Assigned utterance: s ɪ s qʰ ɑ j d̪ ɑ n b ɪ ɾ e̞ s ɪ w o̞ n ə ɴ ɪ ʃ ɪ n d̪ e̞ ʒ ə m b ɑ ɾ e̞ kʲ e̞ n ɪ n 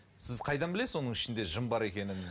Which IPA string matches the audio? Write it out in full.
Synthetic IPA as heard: s ɪ z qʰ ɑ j d̪ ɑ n b ɪ l e̞ s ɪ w o̞ n ə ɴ ɪ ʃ ɪ n d̪ e̞ ʒ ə m b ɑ ɾ e̞ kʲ e̞ n ɪ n